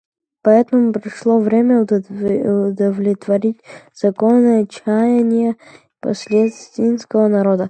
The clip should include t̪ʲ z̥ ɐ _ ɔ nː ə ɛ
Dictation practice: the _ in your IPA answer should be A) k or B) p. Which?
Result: A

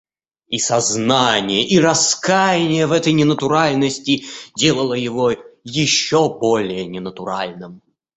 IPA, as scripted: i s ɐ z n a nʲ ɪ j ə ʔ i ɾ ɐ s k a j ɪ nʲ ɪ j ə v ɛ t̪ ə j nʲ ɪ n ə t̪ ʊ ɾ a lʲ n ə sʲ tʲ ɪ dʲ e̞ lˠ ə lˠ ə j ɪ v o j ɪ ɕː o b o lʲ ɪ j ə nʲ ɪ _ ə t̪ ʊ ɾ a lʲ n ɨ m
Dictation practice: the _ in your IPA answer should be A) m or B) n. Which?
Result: B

